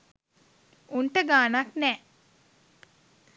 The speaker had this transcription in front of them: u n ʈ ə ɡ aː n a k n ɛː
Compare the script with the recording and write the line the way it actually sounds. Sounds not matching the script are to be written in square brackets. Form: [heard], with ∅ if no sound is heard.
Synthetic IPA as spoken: u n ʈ ə ɡ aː n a k n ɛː